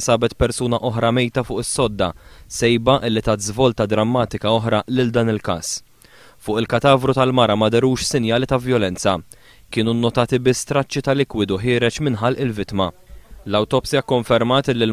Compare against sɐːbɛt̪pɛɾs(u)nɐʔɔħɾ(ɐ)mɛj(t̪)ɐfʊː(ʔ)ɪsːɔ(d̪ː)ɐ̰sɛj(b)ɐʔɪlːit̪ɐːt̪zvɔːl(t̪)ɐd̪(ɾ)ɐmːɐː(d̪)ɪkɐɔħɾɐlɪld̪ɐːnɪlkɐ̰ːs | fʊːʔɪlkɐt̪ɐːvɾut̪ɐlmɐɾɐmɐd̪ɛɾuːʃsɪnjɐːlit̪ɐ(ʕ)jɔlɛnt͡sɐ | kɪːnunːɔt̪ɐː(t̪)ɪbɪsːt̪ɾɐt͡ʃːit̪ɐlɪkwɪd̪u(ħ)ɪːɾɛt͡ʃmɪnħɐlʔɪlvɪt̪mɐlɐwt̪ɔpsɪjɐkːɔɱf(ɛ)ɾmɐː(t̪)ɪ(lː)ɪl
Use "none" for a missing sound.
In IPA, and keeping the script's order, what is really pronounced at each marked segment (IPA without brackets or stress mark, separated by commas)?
uː, ɐ, t̪, ʔ, d̪ː, b, t̪, ɾ, t̪, v, t̪, ħ, ɛ, t̪, lː